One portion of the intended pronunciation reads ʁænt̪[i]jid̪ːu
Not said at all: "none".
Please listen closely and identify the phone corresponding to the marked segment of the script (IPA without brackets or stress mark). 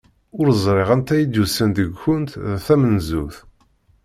æ